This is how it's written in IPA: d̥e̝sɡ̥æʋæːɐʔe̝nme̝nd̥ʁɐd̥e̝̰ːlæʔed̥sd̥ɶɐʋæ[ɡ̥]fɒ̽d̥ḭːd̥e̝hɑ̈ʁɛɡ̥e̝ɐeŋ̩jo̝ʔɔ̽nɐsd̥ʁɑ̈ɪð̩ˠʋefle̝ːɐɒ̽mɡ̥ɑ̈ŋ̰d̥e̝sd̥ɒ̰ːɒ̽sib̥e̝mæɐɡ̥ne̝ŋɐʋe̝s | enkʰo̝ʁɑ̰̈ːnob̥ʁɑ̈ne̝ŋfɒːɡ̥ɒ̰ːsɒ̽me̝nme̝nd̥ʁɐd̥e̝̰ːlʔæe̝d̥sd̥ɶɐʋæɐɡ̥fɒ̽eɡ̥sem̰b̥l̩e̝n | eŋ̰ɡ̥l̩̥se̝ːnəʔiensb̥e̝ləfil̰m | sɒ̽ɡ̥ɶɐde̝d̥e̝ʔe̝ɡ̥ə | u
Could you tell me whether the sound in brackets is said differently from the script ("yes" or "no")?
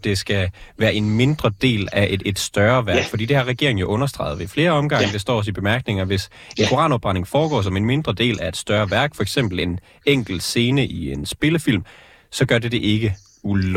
no